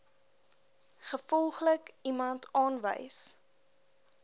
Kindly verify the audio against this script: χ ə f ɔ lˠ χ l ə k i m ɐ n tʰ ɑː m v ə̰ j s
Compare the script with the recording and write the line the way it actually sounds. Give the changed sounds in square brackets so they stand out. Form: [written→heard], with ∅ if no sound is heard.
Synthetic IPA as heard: χ ə f ɔ lˠ χ l ə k i m ɐ n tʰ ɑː [m→n] v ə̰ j s